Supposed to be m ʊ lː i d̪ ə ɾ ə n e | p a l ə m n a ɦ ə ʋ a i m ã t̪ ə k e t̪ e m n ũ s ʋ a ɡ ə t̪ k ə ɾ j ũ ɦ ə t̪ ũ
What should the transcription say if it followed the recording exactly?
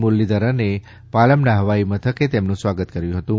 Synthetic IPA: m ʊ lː i d̪ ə ɾ ə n e | p a l ə m n a ɦ ə ʋ a i m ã t̪ʰ ə k e t̪ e m n ũ s ʋ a ɡ ə t̪ k ə ɾ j ũ ɦ ə t̪ ũ